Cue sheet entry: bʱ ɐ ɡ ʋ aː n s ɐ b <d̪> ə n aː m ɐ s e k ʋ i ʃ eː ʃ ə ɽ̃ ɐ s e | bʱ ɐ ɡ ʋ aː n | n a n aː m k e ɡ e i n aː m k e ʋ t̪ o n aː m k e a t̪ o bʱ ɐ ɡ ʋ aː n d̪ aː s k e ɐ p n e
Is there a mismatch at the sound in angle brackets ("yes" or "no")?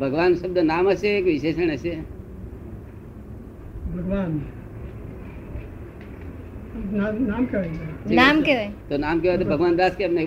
no